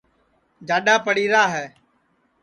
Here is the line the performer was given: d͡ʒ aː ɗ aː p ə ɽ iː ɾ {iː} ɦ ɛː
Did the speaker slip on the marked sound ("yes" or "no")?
yes